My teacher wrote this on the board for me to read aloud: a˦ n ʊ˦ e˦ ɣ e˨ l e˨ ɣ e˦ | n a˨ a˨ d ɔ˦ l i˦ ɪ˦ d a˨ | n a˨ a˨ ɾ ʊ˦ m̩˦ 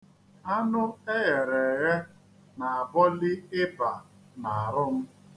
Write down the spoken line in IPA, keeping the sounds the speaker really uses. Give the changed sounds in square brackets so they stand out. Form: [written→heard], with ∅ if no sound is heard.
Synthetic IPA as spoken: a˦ n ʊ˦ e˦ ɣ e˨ [l→ɾ] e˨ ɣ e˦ | n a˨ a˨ [d→b] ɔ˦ l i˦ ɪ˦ [d→b] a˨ | n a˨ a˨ ɾ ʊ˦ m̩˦